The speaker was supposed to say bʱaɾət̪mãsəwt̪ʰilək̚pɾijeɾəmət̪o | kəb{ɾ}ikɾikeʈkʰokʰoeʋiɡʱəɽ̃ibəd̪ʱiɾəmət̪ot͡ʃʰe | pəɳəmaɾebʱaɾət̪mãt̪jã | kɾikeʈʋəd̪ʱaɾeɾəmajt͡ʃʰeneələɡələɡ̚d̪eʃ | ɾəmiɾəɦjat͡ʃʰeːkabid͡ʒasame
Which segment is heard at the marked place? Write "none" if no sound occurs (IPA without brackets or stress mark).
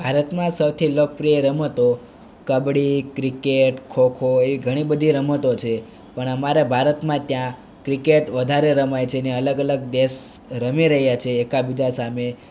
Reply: ɽ